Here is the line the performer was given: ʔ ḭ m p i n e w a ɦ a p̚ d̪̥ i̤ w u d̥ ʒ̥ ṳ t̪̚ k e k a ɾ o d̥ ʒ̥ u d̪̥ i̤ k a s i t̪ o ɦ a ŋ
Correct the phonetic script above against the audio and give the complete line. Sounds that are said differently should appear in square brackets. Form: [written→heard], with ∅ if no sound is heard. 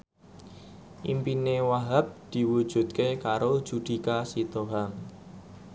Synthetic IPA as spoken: ʔ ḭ m p i n e w a ɦ a p̚ d̪̥ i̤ w u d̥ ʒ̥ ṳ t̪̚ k e k a ɾ o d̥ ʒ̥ u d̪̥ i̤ k a s i t̪ o ɦ a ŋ